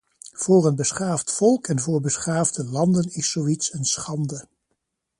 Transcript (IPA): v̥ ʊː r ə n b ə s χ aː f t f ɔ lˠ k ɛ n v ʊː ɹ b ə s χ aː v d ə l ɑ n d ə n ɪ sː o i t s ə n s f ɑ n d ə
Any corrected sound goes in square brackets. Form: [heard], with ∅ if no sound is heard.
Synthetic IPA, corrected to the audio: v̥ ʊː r ə n b ə s χ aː f t f ɔ lˠ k ɛ n v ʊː ɹ b ə s χ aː v d ə l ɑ n d ə n ɪ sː o i t s ə n s [χ] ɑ n d ə